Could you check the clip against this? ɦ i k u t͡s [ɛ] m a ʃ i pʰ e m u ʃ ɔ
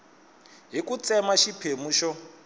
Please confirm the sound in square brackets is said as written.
yes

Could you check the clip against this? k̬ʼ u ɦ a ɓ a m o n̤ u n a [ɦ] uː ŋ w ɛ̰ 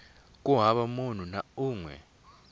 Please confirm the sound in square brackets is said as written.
no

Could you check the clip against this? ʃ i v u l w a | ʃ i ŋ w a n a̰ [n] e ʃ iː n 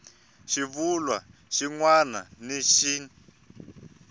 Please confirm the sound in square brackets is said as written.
yes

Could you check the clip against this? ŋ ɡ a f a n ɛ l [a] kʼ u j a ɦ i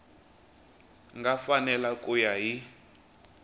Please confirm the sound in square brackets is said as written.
yes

